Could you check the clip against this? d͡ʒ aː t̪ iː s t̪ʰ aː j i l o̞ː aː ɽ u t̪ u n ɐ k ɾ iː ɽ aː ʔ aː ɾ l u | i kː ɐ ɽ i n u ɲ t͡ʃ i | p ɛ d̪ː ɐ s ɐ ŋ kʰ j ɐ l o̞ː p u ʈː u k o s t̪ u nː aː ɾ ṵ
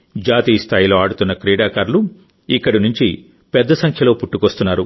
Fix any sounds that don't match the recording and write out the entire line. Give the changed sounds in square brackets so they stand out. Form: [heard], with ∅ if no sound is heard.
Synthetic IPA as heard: d͡ʒ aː t̪ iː s t̪ʰ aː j i l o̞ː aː ɽ u t̪ u [nː] ɐ k ɾ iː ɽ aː [k] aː ɾ l u | i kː ɐ ɽ i n u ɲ t͡ʃ i | p ɛ d̪ː ɐ s ɐ ŋ kʰ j ɐ l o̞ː p u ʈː u k o s t̪ u nː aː ɾ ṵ